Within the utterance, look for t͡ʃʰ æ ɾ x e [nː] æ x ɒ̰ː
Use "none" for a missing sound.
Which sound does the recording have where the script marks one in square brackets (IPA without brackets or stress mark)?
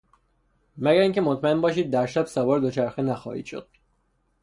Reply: n